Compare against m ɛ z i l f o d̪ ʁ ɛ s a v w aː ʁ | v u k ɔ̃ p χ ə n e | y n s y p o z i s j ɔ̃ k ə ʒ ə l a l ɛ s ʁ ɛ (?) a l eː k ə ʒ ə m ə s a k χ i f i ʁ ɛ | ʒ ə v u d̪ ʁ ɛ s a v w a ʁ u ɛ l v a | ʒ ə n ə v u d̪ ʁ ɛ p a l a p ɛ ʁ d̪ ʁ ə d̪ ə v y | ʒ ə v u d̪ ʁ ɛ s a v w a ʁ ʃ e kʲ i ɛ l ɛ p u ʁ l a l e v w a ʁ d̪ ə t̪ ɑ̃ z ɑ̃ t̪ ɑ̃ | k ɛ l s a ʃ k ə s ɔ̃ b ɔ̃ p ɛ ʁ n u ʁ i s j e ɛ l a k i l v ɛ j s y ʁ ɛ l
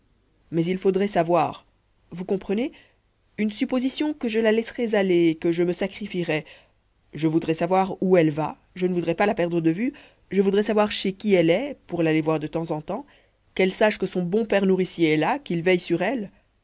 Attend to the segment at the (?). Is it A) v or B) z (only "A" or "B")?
B